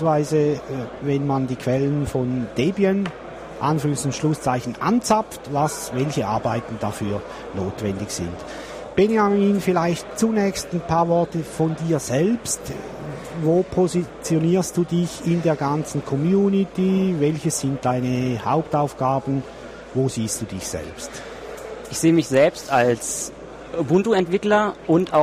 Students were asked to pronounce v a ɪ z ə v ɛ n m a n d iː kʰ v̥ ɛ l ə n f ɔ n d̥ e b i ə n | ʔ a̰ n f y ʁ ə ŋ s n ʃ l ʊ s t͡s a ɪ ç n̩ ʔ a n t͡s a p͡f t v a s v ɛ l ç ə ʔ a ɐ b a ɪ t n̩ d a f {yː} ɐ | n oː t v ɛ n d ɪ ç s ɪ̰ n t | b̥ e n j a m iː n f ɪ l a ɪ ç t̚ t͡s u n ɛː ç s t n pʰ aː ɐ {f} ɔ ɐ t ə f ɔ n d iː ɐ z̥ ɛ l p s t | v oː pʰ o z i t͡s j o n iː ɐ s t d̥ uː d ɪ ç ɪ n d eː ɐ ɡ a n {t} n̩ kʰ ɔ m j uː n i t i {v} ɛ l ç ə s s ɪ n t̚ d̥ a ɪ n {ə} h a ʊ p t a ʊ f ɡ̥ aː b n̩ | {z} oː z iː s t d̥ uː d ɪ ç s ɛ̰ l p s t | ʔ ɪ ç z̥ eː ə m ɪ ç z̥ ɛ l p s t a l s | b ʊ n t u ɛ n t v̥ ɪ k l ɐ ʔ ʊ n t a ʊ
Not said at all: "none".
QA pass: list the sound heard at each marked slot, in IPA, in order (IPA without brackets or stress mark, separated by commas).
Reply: yː, v, t͡s, v, ə, v